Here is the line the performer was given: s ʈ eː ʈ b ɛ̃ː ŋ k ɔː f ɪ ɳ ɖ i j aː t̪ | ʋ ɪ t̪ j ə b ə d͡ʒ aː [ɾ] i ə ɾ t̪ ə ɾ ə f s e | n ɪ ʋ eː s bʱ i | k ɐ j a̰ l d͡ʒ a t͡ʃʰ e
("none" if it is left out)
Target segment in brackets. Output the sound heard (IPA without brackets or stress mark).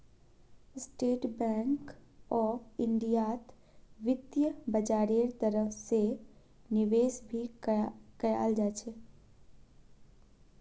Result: ɾ